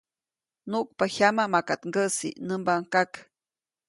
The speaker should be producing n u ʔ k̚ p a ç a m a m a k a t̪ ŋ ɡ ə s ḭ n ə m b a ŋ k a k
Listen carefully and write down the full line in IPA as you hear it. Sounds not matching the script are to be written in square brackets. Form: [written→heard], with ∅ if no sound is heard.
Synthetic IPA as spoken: n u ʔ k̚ p a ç a m a m a k a t̪ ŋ ɡ ə s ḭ n ə m b a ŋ k a k